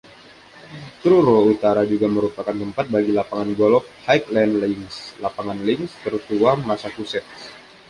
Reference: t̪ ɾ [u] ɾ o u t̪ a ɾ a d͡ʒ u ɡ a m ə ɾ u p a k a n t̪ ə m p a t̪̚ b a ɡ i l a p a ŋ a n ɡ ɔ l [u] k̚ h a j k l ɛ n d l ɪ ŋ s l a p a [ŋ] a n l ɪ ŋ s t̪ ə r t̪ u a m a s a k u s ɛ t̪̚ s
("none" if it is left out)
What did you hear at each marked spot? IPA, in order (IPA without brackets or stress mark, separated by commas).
u, ɔ, ŋ